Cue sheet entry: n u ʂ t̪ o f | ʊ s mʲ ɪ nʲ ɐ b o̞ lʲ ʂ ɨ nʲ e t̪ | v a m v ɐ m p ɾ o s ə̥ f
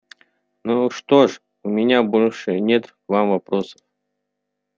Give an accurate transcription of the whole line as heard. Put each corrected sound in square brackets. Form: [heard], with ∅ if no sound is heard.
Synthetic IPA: n u ʂ t̪ o [ʂ] | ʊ [∅] mʲ ɪ nʲ [a] b o̞ lʲ ʂ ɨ nʲ e t̪ | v a m v ɐ [∅] p ɾ o s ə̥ f